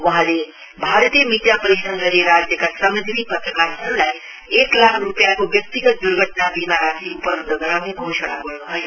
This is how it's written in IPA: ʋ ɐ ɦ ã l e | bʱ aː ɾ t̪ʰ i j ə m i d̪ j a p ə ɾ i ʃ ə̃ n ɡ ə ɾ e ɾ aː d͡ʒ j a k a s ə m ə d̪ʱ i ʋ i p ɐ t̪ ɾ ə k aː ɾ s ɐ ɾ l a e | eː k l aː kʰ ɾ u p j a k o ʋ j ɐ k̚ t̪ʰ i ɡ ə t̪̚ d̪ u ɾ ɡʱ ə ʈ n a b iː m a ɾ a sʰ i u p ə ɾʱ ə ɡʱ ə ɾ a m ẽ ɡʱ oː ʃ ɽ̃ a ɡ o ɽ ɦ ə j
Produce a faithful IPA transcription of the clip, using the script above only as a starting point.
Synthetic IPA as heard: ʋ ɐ ɦ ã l e | bʱ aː ɾ t̪ i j ə m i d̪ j a p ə ɾ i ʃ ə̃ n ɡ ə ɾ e ɾ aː d͡ʒ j ə k a s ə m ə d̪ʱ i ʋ i p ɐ t̪ ɾ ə k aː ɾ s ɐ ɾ l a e | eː k l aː kʰ ɾ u p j a k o ʋ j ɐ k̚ t̪ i ɡ ə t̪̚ d̪ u ɾ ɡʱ ə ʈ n a b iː m a ɾ a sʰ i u p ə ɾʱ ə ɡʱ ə ɾ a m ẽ ɡʱ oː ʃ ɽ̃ a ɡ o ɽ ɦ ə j